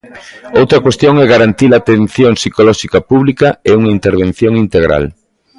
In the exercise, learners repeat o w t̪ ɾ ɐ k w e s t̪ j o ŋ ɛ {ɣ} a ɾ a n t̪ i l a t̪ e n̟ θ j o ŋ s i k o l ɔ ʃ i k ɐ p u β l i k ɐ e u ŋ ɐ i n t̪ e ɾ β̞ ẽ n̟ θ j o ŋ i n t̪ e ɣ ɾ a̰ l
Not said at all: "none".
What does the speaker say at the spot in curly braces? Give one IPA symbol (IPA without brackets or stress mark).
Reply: ɣ